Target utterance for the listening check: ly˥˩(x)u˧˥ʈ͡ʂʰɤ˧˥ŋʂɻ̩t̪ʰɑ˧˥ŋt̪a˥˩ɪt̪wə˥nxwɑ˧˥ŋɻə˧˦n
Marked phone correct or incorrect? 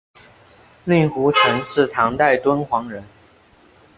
correct